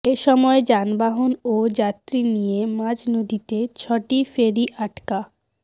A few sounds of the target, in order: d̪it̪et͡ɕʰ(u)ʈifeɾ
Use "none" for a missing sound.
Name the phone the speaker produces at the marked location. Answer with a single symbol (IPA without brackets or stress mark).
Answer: ɔ